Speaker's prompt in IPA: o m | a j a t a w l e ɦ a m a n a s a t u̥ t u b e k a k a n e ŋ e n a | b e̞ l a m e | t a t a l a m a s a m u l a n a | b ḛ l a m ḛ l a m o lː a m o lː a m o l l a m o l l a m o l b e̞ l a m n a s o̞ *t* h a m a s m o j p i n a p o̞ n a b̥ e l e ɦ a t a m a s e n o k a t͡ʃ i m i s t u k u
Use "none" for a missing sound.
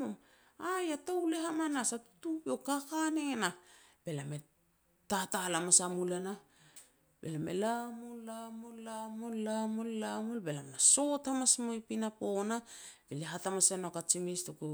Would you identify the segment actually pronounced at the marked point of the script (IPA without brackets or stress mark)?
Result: t